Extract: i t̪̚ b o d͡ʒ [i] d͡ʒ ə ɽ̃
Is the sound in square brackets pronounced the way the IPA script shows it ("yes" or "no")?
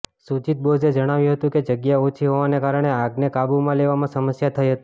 no